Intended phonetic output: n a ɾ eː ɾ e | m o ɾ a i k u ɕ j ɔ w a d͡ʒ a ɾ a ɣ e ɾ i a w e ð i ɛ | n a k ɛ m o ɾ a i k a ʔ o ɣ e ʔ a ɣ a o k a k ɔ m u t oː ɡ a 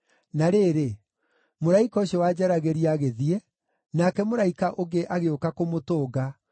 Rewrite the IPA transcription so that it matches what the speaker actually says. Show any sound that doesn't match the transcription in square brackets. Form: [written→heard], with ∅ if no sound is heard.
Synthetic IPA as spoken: n a ɾ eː ɾ e | m o ɾ a i k [u→ɔ] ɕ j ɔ w a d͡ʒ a ɾ a ɣ e ɾ i a [w→ɣ] e ð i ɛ | n a k ɛ m o ɾ a i k a ʔ o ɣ e ʔ a ɣ [a→e] o k a k [ɔ→o] m [u→o] t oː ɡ a